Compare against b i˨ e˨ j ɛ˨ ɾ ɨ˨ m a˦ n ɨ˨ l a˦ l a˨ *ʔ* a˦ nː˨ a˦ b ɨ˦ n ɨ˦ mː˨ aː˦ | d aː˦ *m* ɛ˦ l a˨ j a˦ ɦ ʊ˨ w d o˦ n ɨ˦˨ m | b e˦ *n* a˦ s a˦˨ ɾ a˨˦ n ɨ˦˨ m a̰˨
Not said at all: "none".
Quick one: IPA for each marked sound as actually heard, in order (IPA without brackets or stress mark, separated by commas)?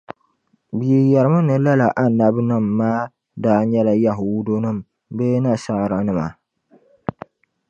ʔ, ɲ, n